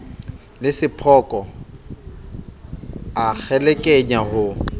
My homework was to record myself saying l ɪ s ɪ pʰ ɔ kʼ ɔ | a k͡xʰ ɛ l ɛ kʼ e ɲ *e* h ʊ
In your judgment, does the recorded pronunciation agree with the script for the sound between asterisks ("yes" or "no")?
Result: no